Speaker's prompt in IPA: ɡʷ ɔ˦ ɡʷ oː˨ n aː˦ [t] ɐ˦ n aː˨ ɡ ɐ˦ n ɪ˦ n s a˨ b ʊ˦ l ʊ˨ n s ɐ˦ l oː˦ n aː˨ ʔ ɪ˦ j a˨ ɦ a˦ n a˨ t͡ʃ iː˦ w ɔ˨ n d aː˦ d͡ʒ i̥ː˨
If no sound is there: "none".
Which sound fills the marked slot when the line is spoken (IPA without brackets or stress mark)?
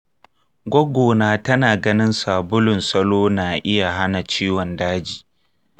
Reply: t